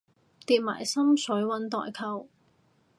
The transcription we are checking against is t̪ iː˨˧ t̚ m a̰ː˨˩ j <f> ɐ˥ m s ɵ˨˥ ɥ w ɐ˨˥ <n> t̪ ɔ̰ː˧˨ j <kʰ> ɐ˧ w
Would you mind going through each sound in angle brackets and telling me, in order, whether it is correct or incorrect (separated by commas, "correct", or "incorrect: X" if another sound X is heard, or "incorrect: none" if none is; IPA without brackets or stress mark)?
incorrect: s, correct, correct